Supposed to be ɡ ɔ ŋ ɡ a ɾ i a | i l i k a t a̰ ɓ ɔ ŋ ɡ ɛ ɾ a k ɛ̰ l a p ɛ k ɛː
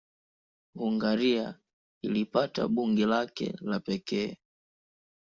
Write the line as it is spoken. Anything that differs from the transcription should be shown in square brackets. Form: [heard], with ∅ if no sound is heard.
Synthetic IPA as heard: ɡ [u] ŋ ɡ a ɾ i a | i l i [p] a t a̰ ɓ [u] ŋ ɡ ɛ [l] a k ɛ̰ l a p ɛ k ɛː